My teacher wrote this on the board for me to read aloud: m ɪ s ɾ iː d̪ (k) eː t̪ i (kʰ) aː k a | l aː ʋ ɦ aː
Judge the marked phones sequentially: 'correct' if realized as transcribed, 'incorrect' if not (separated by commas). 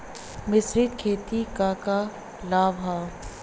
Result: incorrect, incorrect